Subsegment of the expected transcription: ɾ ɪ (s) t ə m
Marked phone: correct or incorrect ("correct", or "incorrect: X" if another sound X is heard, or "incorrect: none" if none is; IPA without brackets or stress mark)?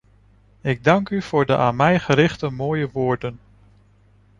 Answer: incorrect: χ